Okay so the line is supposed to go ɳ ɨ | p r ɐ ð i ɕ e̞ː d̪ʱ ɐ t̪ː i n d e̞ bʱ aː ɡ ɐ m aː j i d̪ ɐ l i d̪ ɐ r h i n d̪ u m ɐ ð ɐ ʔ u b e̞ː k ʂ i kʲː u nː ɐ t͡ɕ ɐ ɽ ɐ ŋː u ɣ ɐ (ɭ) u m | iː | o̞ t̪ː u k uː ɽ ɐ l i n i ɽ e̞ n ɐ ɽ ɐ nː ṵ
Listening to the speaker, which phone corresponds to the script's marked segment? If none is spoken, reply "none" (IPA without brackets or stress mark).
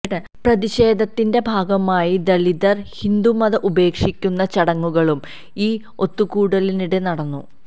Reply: ɭ